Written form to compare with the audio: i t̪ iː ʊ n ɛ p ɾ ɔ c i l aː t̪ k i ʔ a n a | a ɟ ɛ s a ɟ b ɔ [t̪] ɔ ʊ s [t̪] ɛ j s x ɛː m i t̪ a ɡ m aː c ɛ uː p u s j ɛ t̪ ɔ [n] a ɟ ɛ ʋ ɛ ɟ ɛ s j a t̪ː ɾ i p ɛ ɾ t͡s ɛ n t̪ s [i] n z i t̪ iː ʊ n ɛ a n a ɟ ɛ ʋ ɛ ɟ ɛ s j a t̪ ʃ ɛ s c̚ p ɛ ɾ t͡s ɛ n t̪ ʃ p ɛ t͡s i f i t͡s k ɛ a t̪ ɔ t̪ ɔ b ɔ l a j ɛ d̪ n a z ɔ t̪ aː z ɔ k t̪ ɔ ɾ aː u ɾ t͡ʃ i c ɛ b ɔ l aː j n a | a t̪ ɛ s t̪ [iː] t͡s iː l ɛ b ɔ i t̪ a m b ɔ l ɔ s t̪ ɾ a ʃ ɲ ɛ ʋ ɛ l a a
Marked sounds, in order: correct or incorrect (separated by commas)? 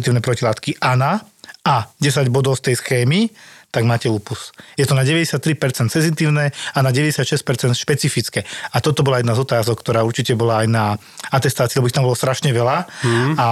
incorrect, correct, correct, incorrect, incorrect